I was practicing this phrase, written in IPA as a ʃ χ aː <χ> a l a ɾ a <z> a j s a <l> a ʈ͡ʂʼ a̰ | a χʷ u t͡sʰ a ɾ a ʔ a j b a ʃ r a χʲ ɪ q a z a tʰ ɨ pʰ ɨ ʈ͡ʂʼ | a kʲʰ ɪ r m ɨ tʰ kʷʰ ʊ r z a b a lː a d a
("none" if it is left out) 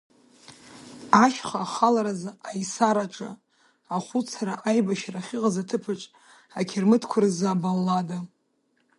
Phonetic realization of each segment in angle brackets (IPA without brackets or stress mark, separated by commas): χ, z, ɾ